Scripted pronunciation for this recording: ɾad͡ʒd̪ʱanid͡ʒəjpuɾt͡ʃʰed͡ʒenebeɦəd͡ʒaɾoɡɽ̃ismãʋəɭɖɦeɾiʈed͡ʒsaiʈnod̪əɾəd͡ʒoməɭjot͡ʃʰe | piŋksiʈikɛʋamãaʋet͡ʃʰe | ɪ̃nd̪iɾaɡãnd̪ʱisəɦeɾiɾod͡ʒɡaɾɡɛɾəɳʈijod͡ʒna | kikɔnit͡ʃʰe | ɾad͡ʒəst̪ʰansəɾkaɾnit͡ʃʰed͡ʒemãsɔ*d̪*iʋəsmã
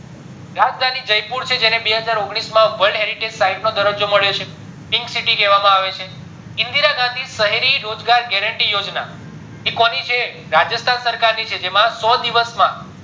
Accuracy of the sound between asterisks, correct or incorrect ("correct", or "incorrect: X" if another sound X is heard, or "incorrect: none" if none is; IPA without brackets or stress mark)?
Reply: correct